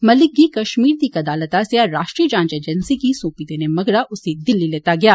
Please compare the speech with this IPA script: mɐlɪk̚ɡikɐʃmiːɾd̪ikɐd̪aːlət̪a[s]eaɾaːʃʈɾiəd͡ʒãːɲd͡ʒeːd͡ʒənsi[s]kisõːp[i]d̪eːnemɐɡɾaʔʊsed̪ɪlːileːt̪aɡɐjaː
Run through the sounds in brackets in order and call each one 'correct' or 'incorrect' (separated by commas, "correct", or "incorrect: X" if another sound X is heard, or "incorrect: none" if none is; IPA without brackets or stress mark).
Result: correct, incorrect: none, correct